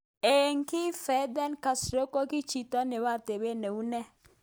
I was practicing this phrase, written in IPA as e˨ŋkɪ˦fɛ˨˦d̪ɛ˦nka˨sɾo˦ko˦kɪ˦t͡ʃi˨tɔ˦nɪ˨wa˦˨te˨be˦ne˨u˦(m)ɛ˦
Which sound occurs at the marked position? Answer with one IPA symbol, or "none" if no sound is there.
n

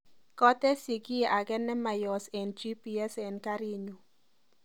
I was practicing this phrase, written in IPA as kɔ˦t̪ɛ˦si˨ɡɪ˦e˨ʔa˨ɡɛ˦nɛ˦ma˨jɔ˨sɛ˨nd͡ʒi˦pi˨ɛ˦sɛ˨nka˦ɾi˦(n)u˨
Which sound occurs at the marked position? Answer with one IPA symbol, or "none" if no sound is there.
ɲ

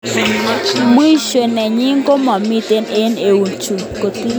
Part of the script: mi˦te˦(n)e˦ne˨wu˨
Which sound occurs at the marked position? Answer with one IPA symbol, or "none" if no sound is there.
n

